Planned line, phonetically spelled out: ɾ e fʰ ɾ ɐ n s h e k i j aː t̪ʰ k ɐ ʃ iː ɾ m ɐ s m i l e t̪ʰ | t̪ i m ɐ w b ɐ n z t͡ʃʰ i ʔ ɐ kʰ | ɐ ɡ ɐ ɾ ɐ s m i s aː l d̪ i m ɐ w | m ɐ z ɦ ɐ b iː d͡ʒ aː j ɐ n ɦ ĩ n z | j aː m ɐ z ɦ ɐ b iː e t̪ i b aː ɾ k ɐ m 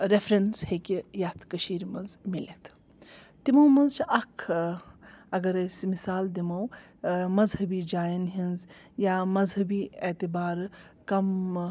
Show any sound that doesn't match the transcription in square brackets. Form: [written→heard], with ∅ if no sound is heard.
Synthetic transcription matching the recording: ɾ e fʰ ɾ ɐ n s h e k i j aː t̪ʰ k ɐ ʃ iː ɾ m ɐ [s→z] m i l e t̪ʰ | t̪ i m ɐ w [b→m] ɐ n z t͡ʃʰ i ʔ ɐ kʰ | ɐ ɡ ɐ ɾ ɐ s m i s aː l d̪ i m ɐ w | m ɐ z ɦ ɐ b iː d͡ʒ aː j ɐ n ɦ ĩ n z | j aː m ɐ z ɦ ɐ b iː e t̪ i b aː ɾ k ɐ m